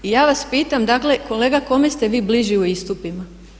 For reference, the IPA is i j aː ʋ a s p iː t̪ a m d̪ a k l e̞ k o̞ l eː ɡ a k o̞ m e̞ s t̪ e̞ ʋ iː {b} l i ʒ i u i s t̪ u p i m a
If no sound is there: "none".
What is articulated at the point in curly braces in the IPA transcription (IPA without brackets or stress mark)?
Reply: b